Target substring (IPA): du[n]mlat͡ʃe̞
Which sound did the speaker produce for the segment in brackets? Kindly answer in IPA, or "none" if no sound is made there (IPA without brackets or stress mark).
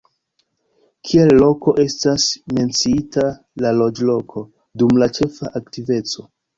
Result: none